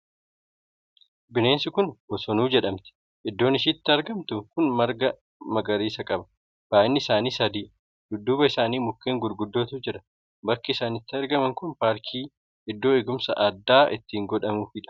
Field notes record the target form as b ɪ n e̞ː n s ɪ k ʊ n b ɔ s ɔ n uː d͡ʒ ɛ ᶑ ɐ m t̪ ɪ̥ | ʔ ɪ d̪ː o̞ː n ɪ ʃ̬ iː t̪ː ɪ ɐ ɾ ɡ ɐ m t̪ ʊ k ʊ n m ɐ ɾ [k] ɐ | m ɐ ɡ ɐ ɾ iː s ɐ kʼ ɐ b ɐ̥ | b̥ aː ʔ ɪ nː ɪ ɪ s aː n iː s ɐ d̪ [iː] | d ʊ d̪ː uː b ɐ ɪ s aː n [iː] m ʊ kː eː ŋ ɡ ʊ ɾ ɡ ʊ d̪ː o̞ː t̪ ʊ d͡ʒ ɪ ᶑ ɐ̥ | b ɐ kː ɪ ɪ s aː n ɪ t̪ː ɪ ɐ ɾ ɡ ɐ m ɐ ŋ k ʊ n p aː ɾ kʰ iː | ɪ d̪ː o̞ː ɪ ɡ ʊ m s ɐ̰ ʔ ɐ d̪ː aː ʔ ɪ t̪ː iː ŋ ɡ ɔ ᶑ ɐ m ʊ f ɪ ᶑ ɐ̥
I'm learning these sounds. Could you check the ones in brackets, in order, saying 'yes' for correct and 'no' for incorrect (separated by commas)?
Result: no, yes, yes